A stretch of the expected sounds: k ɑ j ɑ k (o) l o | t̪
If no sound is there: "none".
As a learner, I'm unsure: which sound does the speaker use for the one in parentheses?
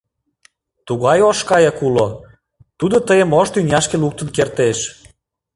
u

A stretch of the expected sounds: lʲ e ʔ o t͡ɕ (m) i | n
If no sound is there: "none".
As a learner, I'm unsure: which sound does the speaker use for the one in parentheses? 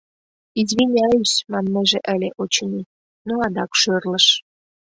n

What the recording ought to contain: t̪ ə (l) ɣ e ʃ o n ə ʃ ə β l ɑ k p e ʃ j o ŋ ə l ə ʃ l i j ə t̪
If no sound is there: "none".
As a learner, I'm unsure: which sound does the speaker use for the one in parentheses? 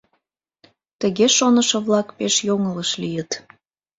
none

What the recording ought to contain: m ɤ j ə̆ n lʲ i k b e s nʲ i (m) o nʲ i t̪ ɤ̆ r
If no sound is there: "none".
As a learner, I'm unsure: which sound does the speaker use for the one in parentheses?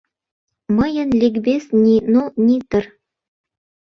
n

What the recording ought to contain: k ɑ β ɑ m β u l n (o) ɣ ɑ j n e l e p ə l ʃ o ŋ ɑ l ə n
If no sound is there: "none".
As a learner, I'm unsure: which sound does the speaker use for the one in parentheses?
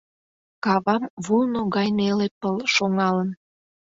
o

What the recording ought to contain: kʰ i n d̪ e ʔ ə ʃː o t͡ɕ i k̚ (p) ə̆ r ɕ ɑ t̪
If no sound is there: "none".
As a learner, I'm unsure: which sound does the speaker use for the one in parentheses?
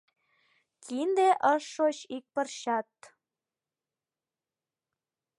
p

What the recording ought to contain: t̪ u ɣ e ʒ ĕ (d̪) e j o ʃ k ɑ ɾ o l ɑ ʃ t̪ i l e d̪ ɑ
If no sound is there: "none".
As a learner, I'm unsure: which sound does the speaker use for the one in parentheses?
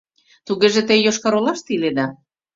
t̪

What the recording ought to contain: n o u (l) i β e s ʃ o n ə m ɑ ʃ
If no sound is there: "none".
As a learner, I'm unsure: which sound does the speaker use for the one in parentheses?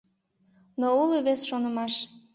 l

